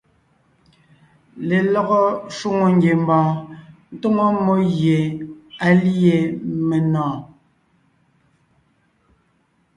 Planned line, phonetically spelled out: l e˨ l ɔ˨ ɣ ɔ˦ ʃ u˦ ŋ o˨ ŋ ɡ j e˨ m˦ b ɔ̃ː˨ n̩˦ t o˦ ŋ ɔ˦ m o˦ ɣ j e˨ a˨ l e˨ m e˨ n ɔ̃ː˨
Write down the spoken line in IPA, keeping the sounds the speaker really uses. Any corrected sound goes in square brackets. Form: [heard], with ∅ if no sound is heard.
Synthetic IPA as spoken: l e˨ l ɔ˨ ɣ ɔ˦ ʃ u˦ ŋ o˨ ŋ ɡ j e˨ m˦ b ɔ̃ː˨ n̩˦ t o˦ ŋ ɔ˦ m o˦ ɣ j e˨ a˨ l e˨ m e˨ n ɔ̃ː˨